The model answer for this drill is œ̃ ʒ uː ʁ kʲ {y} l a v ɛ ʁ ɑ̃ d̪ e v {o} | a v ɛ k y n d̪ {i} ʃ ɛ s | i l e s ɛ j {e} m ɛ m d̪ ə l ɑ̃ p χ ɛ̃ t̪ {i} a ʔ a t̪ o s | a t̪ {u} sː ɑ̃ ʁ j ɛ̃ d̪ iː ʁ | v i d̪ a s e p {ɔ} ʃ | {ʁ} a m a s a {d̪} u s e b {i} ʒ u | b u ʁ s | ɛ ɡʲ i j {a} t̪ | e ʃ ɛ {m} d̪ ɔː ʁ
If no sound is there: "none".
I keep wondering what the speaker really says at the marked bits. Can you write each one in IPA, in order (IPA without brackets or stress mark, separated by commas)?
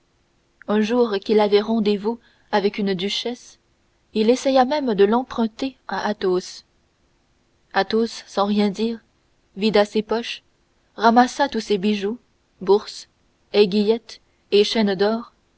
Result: i, u, y, a, e, o, ɔ, ʁ, t̪, i, ɛ, n